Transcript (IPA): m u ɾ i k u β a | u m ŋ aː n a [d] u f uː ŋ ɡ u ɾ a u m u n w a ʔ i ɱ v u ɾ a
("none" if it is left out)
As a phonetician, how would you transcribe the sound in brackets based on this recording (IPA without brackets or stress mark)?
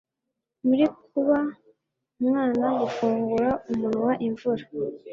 ɡ